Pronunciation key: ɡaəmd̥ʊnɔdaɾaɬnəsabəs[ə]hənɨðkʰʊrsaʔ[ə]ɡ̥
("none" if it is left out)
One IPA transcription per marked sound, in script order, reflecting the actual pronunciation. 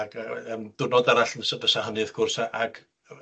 a, a

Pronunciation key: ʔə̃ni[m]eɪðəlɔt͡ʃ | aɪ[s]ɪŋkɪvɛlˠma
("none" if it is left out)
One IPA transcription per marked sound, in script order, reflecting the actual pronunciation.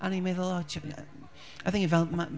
m, θ

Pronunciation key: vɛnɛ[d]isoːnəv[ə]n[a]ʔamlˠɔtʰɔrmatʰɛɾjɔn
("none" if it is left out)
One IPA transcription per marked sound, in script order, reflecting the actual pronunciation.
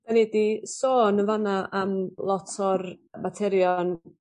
d, a, a

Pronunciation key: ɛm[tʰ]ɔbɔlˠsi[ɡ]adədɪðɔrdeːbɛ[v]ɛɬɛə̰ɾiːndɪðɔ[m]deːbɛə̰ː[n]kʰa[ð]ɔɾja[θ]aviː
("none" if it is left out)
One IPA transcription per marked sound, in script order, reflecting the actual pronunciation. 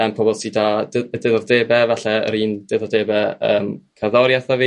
pʰ, d, v, none, m, ð, θ

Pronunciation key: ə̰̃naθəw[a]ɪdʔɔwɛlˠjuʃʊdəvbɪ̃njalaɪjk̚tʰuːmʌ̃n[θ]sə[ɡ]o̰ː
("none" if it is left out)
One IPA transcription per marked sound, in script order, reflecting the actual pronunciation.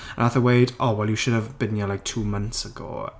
e, θ, ɡ

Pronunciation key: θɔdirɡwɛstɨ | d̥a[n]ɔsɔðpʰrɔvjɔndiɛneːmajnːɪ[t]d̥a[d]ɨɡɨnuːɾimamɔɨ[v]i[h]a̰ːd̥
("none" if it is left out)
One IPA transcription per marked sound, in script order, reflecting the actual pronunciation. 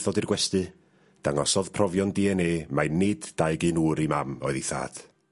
ŋ, d, none, ð, θ

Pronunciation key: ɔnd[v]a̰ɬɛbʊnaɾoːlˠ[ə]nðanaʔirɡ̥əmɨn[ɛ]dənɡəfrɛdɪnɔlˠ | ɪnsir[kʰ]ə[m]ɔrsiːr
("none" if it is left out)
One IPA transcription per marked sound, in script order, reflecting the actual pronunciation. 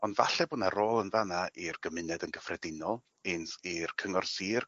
v, ə, ɛ, kʰ, ŋ

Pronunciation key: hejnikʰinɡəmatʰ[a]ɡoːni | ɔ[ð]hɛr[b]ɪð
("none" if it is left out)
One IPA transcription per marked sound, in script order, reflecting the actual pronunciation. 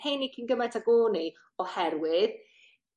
a, none, w

